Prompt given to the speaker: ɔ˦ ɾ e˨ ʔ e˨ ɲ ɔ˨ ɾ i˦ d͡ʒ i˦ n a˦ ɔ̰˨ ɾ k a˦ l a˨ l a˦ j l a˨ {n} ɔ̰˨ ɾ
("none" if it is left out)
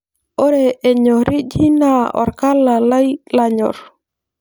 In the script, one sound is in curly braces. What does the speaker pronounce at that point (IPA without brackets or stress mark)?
ɲ